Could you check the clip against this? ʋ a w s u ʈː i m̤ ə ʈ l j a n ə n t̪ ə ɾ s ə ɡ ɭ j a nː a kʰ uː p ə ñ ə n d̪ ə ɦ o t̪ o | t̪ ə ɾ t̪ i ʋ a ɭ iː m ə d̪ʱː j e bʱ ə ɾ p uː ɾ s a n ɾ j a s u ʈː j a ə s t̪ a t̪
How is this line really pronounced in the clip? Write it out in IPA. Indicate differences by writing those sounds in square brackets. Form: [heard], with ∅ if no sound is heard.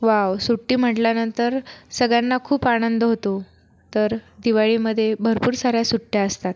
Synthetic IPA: ʋ a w s u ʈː [iː] m̤ ə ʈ l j a n ə n t̪ ə ɾ s ə ɡ ɭ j a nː a kʰ uː p [a] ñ ə n d̪ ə ɦ o t̪ o | t̪ ə ɾ [d̪] i ʋ a ɭ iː m ə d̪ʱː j e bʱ ə ɾ p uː ɾ s a [∅] ɾ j a s u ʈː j a ə s t̪ a t̪

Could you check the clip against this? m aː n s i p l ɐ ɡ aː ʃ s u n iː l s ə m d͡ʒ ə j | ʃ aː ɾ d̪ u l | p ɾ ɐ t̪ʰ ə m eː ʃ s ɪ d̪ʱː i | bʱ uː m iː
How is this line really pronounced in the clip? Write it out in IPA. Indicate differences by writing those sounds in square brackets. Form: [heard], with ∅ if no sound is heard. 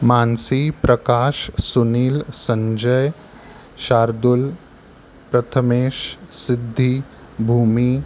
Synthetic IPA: m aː n s i p [ɾ] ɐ [k] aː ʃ s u n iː l s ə [ɲ] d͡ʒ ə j | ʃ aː ɾ d̪ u l | p ɾ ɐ t̪ʰ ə m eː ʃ s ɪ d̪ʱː i | bʱ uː m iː

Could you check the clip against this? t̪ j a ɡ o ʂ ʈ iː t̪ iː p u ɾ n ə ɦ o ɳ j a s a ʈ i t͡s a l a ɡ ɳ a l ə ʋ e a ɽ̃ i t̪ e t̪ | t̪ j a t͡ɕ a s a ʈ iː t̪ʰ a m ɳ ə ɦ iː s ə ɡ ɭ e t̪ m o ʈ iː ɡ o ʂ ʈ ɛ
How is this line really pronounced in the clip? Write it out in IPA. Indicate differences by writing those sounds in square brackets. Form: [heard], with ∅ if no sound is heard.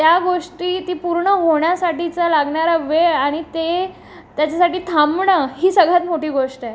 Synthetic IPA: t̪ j a ɡ o ʂ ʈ iː t̪ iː p u ɾ [ɳ] ə ɦ o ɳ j a s a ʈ i t͡s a l a ɡ ɳ a [ɾ] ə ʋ e a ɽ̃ i t̪ e [∅] | t̪ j a t͡ɕ a s a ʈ iː t̪ʰ a m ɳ ə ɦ iː s ə ɡ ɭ [a] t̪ m o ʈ iː ɡ o ʂ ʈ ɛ

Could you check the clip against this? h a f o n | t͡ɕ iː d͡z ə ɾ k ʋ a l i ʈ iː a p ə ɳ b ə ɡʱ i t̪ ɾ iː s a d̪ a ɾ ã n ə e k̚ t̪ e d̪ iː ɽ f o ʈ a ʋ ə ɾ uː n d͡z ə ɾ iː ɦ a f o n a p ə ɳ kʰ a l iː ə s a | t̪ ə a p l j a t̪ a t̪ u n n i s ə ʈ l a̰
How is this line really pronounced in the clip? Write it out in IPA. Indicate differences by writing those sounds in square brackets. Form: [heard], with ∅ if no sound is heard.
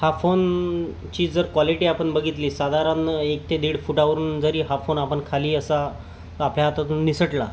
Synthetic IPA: h a f o n | t͡ɕ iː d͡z ə ɾ k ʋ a l i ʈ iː a p ə ɳ b ə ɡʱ i t̪ [l] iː s a d̪ a ɾ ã n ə e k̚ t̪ e d̪ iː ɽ f [u] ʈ a ʋ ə ɾ uː n d͡z ə ɾ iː ɦ a f o n a p ə ɳ kʰ a l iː ə s a | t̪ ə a p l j a t̪ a t̪ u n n i s ə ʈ l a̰

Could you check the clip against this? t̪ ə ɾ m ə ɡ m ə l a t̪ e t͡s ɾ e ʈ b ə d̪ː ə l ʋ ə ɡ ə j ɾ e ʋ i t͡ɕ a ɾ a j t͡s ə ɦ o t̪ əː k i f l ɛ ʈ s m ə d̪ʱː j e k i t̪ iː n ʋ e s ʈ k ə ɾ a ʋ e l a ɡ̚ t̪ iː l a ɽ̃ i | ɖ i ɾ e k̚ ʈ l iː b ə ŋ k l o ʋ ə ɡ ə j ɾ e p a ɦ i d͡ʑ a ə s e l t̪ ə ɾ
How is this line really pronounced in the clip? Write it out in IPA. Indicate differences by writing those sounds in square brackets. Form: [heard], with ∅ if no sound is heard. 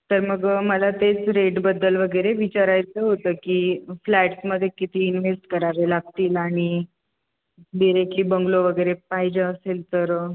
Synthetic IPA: t̪ ə ɾ m ə ɡ m ə l a t̪ e t͡s ɾ e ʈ b ə d̪ː ə l ʋ ə ɡ ə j ɾ e ʋ i t͡ɕ a ɾ a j t͡s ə ɦ o t̪ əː k i f l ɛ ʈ s m ə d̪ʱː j e k i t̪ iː n ʋ e s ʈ k ə ɾ a ʋ e l a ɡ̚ t̪ iː l a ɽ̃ i | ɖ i ɾ e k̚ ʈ l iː b ə ŋ [ɡ] l o ʋ ə ɡ ə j ɾ e p a ɦ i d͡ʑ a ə s e l t̪ ə ɾ

